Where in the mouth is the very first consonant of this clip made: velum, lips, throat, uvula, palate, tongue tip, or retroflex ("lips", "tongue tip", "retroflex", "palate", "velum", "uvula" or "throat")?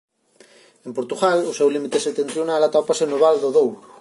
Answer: lips